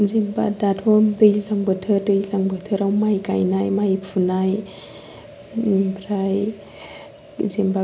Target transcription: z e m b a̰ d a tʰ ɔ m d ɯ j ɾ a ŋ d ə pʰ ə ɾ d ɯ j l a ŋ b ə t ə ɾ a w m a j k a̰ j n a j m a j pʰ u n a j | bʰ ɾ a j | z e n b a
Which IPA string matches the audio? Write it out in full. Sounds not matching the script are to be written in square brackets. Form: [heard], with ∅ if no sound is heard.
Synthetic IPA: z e m b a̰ d a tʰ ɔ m d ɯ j [l] a ŋ [b] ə [tʰ] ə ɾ d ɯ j l a ŋ b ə [tʰ] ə ɾ a w m a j k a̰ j n a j m a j pʰ u n a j | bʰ ɾ a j | z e [m] b a